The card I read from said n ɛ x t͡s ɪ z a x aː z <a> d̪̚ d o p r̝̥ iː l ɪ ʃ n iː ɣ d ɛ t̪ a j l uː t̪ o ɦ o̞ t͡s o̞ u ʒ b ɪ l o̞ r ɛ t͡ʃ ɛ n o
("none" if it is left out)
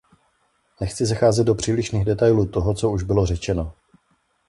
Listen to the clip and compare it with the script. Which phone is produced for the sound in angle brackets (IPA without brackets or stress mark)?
ɛ